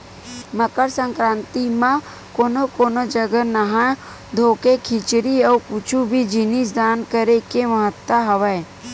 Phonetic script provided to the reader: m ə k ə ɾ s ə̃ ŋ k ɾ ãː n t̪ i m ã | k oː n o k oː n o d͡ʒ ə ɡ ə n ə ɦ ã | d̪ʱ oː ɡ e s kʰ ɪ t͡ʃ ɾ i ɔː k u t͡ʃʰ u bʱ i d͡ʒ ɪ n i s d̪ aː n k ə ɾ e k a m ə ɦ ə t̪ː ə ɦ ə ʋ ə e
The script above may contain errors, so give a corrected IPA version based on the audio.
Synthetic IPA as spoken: m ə k ə ɾ s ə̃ ŋ k ɾ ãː n t̪ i m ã | k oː n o k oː n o d͡ʒ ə ɡ ə n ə ɦ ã | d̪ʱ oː k e kʰ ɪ t͡ʃ ɾ i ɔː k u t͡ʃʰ u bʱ i d͡ʒ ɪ n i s d̪ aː n k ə ɾ e k e m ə ɦ ə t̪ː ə ɦ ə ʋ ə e